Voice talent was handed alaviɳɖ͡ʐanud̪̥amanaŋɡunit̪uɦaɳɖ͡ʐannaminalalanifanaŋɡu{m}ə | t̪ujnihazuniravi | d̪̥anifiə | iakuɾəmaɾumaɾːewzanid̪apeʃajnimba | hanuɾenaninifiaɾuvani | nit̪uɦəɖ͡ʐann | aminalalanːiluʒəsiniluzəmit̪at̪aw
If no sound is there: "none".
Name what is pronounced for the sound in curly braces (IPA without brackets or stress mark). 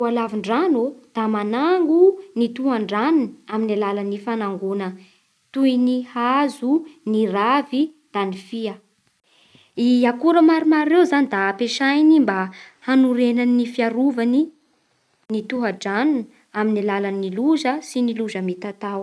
n